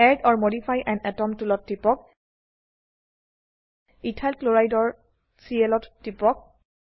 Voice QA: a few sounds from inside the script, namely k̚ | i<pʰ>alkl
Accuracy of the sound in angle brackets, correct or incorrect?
incorrect